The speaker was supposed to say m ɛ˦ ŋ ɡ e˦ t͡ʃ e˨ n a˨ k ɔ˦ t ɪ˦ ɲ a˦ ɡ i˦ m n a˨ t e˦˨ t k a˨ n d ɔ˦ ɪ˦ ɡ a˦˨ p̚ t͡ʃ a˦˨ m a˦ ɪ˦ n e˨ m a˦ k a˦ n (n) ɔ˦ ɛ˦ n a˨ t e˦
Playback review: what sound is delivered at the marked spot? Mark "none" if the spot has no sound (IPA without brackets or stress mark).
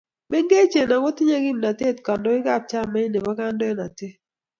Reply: d